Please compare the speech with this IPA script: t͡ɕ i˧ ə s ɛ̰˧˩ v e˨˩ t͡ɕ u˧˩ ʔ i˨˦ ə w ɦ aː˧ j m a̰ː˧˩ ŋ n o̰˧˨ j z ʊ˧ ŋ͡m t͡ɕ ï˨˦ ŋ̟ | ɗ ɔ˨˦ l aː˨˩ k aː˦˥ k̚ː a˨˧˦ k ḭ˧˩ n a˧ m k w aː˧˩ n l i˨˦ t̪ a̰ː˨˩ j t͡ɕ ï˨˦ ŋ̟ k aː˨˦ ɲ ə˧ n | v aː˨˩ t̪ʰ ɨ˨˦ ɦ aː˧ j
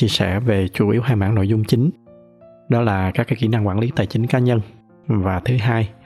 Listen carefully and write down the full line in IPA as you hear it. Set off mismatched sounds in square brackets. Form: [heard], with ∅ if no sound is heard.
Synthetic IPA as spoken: t͡ɕ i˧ ə s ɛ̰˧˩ v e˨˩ t͡ɕ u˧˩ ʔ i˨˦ ə w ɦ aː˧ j m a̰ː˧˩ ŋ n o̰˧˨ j z ʊ˧ ŋ͡m t͡ɕ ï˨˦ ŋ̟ | ɗ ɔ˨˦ l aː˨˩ k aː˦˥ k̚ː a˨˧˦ k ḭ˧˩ n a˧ [ŋ] k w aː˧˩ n l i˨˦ t̪ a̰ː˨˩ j t͡ɕ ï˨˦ ŋ̟ k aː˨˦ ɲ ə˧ n | v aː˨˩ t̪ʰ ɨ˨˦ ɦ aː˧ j